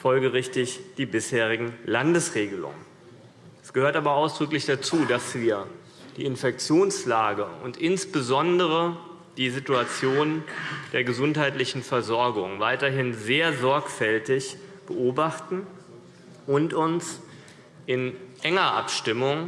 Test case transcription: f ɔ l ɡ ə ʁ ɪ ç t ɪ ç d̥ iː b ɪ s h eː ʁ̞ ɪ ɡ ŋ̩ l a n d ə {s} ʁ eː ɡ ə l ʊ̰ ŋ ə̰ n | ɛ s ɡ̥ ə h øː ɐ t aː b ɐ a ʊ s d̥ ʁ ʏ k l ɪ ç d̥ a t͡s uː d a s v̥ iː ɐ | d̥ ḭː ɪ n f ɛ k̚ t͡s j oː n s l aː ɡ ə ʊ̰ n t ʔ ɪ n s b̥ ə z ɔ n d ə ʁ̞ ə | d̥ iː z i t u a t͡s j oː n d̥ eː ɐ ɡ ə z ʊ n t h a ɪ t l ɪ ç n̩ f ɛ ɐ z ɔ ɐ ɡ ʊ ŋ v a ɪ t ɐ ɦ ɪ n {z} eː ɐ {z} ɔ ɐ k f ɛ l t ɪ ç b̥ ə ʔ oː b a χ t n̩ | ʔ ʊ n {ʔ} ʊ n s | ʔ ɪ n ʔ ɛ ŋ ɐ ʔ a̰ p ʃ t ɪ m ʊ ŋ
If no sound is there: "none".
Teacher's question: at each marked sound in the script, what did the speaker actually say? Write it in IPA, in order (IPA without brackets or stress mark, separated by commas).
s, z, z, t